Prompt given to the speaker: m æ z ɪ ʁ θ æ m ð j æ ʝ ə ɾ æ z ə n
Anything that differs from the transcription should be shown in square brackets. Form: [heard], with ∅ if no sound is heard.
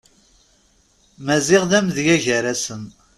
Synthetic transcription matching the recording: m æ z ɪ ʁ [ð] æ m ð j æ ʝ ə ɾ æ [s] ə n